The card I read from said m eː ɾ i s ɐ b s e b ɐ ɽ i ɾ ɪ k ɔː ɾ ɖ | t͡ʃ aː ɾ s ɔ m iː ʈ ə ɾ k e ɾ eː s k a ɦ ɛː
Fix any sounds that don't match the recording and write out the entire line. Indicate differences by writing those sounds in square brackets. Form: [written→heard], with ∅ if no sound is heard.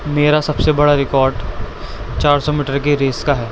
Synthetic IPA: m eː ɾ [i→a] s ɐ b s e b ɐ ɽ [i→a] ɾ ɪ k ɔː ɾ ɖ | t͡ʃ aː ɾ s ɔ m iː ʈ ə ɾ k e ɾ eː s k a ɦ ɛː